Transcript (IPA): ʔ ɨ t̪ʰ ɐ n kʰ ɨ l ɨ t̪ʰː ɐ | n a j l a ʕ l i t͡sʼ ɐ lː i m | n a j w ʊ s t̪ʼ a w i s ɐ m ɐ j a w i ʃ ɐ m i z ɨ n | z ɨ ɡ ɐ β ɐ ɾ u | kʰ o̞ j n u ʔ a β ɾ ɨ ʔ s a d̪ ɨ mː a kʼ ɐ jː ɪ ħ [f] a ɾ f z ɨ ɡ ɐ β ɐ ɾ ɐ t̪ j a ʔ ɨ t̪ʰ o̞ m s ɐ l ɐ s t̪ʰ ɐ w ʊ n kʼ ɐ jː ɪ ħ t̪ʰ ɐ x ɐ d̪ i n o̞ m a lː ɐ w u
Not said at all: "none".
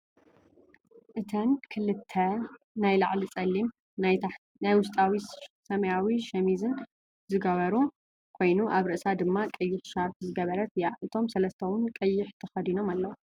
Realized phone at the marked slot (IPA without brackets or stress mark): ʃ